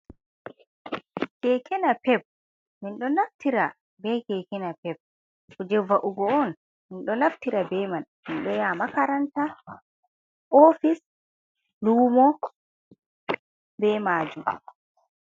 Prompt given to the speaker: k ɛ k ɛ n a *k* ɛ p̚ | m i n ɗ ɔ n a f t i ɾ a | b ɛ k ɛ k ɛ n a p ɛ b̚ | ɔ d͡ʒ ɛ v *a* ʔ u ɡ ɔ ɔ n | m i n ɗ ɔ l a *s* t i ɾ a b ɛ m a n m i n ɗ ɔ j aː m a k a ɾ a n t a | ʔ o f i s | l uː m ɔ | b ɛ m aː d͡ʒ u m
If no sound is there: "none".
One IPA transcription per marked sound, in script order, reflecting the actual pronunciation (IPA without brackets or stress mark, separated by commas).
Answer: p, a, f